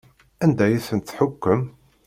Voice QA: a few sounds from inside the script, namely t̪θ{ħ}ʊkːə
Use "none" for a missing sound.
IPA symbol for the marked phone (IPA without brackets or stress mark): ħ